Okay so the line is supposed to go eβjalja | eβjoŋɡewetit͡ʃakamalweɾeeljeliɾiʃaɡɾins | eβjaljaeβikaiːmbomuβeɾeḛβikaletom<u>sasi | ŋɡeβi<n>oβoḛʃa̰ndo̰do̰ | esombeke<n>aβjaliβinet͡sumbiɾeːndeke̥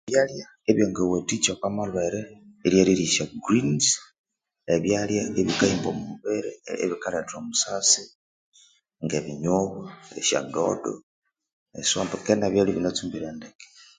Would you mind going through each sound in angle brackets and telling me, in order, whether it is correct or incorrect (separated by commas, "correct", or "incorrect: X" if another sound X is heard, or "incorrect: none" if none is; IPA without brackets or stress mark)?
correct, incorrect: ɲ, correct